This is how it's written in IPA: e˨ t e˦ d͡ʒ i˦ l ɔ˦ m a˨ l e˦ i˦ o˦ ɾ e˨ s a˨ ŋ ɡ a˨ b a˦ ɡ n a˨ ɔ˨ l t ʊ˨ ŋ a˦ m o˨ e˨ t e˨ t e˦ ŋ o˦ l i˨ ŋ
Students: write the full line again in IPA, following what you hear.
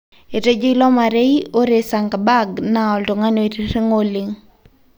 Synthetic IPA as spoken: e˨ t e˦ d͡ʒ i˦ l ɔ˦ m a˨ ɾ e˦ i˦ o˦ ɾ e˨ s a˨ ŋ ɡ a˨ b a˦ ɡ n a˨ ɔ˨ l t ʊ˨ ŋ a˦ n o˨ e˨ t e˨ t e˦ ŋ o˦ l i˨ ŋ